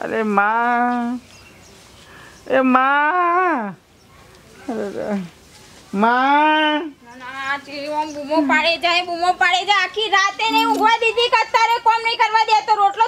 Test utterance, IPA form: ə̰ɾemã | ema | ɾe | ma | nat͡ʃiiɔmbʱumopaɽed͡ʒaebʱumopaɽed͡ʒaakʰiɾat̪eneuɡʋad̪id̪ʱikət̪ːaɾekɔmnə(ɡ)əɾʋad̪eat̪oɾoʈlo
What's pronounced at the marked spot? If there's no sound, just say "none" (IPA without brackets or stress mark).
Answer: k